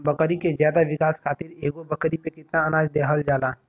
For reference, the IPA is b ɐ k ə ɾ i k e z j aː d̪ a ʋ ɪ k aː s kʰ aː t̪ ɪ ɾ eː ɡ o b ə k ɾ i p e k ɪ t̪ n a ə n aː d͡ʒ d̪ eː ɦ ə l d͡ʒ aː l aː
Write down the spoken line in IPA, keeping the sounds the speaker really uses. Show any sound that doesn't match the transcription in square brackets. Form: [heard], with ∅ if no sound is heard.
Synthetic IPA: b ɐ k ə ɾ i k e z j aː d̪ a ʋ ɪ k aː s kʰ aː t̪ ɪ ɾ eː ɡ o b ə k ɾ i p e k ɪ t̪ n a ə n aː d͡ʒ d̪ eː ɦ ə l d͡ʒ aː l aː